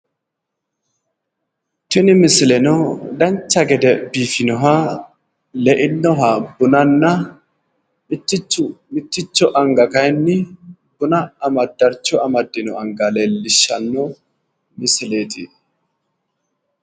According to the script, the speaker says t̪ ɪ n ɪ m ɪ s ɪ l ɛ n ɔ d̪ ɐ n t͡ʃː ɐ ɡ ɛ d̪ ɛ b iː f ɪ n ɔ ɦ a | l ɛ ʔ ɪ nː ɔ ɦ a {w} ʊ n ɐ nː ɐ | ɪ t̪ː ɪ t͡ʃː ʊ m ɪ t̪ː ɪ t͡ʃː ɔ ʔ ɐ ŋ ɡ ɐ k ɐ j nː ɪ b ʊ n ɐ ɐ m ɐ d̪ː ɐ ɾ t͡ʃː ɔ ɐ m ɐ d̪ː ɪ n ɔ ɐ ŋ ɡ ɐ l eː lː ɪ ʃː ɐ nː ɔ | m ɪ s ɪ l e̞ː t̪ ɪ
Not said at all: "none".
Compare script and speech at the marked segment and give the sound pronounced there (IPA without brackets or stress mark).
b